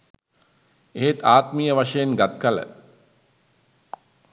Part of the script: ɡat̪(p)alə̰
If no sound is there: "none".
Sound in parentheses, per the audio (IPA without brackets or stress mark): k